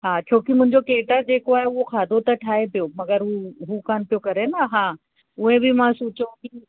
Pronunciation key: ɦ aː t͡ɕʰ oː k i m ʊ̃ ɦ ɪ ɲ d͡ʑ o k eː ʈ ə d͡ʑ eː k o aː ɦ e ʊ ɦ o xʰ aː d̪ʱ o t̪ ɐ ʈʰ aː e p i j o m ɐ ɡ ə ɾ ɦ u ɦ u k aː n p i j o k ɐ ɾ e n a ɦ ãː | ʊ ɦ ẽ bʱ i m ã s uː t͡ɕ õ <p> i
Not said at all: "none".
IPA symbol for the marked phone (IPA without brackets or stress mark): k